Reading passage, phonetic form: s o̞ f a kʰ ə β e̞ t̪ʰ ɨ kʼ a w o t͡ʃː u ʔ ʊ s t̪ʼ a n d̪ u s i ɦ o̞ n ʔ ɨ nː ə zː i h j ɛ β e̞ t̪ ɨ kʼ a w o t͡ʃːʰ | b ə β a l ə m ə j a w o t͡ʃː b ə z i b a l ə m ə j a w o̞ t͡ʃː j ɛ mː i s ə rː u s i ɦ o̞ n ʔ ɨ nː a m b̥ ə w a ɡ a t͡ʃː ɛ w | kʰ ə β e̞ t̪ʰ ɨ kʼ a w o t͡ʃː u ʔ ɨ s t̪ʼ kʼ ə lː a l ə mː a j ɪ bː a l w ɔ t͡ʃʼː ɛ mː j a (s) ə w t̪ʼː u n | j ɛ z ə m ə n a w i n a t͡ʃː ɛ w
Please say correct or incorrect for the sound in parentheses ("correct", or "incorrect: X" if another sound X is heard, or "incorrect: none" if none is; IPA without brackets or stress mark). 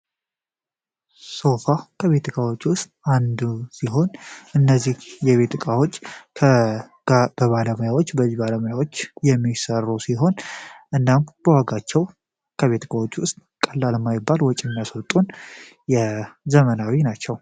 correct